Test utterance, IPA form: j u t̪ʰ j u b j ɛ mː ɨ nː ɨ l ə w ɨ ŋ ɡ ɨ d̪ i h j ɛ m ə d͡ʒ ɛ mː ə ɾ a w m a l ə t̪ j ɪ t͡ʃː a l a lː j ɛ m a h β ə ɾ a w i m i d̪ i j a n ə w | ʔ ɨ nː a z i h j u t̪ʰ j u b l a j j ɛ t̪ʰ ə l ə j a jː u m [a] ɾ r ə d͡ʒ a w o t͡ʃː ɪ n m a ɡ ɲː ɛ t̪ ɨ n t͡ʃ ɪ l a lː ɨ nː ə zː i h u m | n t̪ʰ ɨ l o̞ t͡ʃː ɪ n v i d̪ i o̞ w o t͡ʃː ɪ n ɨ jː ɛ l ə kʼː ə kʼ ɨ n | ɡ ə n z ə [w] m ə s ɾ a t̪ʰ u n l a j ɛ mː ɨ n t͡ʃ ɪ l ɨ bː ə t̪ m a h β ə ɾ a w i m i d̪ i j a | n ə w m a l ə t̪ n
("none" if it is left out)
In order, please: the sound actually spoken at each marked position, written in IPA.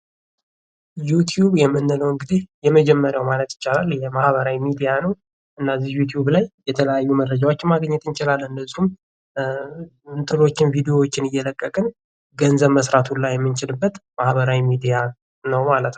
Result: ə, β

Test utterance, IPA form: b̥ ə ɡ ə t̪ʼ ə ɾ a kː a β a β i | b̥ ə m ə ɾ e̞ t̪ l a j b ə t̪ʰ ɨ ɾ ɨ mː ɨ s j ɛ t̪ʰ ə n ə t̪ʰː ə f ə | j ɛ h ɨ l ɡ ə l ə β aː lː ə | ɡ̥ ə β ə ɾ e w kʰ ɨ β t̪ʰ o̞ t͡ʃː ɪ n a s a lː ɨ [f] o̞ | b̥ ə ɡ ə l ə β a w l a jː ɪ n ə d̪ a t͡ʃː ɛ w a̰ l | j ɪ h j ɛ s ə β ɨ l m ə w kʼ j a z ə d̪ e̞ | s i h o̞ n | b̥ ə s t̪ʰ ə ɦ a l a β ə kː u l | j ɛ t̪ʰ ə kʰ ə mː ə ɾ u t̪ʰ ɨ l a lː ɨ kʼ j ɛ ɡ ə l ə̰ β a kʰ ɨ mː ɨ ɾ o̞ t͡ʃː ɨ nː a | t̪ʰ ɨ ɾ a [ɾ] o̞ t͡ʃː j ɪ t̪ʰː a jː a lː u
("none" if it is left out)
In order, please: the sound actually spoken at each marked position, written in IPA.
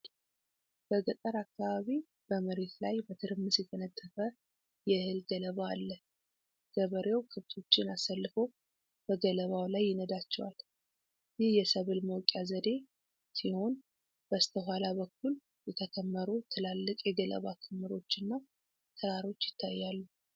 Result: f, ɾ

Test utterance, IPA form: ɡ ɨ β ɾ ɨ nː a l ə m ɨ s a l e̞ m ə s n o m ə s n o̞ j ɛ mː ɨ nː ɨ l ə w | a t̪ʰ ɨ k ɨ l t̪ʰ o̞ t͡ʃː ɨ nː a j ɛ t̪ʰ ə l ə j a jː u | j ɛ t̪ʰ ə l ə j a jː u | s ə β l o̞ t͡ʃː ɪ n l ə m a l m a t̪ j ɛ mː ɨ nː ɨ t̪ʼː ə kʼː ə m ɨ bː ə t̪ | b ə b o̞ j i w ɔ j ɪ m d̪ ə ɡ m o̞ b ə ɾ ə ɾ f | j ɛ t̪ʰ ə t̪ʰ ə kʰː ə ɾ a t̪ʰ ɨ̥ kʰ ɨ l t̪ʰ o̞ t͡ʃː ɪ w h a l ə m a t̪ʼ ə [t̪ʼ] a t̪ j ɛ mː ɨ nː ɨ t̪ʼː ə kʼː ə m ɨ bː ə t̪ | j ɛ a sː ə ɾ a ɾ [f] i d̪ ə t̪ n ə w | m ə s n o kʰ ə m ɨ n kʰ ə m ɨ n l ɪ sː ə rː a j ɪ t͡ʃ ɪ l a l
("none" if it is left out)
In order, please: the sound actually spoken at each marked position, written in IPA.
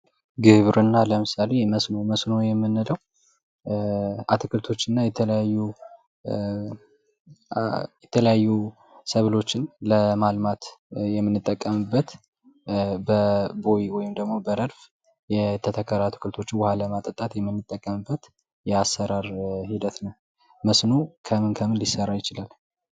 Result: t̪ʼ, h

